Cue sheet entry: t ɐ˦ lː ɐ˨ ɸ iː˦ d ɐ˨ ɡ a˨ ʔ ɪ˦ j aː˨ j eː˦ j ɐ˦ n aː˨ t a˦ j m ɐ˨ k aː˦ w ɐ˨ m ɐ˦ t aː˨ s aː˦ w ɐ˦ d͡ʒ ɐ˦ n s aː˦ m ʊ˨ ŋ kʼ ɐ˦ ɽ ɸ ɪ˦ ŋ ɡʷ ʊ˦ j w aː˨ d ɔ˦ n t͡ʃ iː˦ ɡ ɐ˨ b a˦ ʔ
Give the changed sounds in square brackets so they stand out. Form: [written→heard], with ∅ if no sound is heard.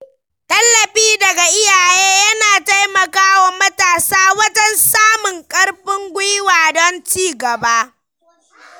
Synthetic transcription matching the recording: t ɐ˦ lː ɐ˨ ɸ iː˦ d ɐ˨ ɡ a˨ ʔ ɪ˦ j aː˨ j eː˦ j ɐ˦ n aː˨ t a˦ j m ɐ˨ k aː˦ w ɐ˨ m ɐ˦ t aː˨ s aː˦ w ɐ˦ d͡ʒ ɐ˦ n s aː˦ m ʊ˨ ŋ kʼ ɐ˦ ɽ ɸ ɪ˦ ŋ ɡʷ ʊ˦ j w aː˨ d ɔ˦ n t͡ʃ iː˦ ɡ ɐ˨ b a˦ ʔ